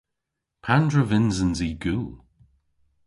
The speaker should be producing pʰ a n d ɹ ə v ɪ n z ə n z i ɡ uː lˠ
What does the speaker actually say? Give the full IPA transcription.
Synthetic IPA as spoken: pʰ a n d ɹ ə v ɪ n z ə n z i ɡ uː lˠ